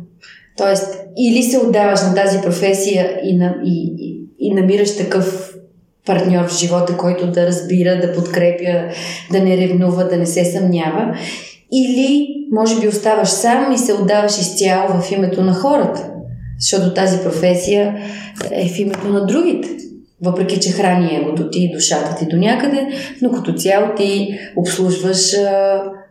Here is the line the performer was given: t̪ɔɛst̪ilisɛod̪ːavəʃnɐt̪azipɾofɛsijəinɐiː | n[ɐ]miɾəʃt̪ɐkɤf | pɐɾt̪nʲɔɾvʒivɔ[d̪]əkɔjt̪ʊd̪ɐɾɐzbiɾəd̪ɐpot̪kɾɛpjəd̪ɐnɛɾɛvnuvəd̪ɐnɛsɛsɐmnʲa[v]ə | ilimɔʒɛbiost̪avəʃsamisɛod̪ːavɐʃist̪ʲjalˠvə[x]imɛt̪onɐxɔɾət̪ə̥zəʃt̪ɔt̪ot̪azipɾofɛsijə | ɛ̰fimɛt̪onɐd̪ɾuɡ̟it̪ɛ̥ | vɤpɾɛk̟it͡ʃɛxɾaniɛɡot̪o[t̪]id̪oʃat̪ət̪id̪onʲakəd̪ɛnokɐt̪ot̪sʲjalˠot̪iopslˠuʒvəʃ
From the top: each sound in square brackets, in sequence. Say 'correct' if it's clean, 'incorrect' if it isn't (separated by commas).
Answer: correct, incorrect, correct, incorrect, correct